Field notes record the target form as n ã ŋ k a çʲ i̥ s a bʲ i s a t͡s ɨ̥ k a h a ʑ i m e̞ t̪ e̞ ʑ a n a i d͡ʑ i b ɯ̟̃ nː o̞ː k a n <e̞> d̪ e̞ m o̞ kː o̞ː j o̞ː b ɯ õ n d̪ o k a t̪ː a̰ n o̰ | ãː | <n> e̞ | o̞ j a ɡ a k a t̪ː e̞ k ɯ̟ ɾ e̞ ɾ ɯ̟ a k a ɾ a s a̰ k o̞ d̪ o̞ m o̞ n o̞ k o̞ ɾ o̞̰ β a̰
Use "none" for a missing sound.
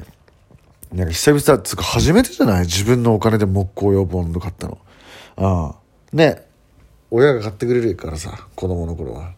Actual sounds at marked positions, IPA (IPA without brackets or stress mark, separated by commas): e̞, n